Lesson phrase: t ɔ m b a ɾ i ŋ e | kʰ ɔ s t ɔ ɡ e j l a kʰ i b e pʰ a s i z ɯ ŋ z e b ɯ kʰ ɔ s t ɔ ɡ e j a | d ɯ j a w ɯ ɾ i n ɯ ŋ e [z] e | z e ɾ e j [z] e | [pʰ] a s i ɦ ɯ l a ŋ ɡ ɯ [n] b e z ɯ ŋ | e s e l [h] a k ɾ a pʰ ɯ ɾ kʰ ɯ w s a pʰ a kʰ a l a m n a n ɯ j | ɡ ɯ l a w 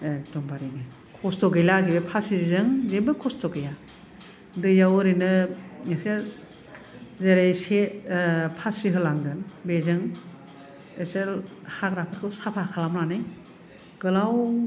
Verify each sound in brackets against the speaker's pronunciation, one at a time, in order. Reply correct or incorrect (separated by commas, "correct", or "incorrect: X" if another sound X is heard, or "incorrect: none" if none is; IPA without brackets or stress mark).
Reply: incorrect: s, incorrect: s, correct, correct, correct